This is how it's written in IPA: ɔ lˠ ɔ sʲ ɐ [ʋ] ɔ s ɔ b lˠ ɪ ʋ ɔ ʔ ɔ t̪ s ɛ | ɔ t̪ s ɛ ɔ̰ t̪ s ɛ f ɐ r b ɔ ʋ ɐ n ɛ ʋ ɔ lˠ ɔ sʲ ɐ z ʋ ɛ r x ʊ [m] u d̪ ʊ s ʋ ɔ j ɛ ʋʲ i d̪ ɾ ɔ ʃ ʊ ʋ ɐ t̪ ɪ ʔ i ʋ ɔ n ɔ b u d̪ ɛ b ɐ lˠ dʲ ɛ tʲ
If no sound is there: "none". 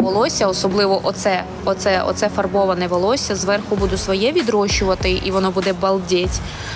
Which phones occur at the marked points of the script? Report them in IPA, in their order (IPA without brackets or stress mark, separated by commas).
none, b